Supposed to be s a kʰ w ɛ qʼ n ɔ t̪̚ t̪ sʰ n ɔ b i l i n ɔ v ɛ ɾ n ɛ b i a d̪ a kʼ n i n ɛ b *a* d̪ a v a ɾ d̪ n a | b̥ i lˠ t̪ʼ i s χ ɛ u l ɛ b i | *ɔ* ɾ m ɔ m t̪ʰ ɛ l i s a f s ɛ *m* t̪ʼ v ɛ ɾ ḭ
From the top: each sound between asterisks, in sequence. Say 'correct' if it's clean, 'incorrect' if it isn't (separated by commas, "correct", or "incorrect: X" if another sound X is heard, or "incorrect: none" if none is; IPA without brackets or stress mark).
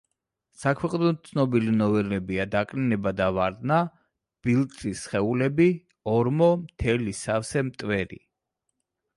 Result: correct, correct, correct